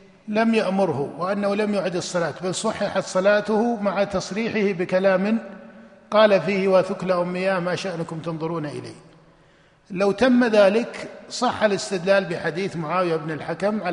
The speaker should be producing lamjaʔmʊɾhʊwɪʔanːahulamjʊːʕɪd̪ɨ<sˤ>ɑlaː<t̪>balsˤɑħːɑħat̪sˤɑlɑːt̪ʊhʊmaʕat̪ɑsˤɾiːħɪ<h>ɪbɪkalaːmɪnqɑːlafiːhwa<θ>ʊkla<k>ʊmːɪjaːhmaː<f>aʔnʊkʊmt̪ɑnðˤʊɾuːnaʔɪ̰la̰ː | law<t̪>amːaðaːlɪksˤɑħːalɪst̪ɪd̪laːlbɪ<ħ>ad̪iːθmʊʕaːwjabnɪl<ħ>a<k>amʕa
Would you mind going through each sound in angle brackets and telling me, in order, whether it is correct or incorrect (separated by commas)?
incorrect, correct, correct, correct, incorrect, incorrect, correct, correct, correct, correct